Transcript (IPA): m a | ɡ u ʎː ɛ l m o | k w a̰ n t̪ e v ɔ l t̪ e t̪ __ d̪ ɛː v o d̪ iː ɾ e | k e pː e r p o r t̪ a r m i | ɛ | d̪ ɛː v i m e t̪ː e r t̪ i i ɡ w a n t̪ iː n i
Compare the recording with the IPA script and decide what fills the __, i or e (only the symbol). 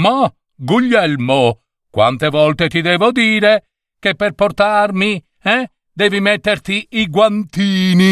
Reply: i